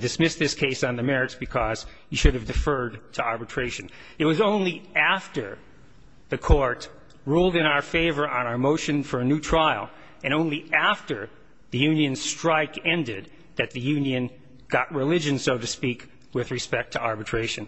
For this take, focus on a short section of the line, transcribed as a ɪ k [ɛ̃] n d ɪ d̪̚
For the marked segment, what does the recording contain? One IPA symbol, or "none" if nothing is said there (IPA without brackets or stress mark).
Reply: ɛ̃